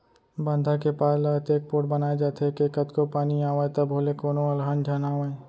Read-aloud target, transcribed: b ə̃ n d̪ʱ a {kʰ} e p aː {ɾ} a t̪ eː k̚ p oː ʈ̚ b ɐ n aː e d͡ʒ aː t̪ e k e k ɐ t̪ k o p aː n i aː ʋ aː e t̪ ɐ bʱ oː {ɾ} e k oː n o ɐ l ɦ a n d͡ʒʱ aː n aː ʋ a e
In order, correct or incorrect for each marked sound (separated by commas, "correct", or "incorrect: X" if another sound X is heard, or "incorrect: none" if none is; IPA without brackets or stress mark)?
incorrect: k, incorrect: l, incorrect: l